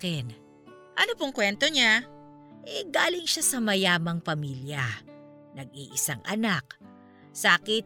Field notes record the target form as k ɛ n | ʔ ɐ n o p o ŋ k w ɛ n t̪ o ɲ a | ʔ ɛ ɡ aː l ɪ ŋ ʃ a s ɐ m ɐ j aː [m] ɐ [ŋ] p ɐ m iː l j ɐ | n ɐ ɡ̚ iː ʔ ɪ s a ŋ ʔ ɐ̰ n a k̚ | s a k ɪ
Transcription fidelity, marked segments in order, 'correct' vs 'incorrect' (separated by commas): correct, correct